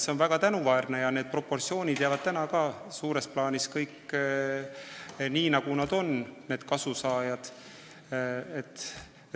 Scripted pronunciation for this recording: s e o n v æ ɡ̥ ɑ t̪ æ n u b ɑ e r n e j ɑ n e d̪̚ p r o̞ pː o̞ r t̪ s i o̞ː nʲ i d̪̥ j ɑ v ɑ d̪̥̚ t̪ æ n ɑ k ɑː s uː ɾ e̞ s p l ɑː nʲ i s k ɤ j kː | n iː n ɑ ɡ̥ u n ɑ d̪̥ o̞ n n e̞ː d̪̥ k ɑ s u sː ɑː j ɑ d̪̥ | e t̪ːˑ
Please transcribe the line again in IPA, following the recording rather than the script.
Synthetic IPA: s e o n v æ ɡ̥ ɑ t̪ æ n u v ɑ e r n e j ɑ n e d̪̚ p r o̞ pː o̞ r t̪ s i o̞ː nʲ i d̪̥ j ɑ v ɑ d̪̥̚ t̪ æ n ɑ k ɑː s uː ɾ e̞ s p l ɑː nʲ i s k ɤ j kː | n iː n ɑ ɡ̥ u n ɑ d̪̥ o̞ n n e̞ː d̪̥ k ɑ s u s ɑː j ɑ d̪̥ | e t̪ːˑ